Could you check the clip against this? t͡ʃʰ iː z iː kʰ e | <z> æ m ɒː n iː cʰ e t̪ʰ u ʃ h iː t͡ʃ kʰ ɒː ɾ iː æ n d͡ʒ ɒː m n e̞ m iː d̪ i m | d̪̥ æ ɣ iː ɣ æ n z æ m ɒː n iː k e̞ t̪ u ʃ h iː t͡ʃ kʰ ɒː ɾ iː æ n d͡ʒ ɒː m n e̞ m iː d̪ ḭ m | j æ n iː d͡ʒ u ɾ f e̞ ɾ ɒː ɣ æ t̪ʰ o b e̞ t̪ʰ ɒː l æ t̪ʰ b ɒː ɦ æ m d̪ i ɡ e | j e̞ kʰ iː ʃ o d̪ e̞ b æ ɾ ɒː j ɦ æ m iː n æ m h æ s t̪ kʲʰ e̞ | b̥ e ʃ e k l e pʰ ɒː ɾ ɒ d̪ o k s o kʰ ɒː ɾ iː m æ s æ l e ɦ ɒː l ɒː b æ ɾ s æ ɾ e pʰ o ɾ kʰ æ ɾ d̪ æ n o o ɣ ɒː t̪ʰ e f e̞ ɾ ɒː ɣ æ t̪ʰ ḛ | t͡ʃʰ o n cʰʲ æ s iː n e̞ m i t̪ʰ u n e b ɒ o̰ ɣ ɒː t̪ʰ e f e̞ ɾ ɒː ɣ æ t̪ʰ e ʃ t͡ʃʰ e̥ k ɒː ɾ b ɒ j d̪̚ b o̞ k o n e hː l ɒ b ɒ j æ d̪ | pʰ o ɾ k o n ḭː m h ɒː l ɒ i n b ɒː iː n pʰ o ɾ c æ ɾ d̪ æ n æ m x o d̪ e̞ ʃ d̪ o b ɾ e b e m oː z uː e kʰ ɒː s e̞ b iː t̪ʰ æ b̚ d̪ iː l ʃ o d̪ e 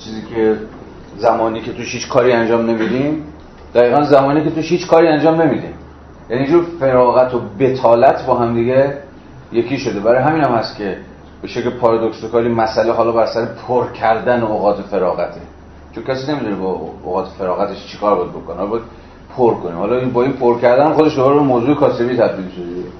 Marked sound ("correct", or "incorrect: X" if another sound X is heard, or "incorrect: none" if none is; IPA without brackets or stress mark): correct